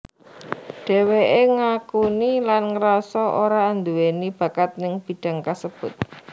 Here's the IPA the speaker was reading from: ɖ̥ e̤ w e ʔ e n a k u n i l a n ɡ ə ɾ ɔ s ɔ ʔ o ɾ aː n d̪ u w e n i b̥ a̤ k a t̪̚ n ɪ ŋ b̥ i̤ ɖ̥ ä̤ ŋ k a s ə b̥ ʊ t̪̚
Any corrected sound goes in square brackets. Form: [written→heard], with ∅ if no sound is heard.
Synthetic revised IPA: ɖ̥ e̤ w e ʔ e [n→ŋ] a k u n i l a n [ɡ→ŋ] ə ɾ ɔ s ɔ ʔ o ɾ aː n d̪ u w e n i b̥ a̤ k a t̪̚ n ɪ ŋ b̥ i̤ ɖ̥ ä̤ ŋ k a s ə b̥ ʊ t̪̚